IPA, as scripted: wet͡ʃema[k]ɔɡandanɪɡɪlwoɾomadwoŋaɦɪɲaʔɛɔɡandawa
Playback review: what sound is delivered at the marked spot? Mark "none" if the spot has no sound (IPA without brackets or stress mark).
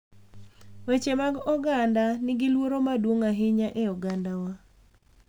ɡ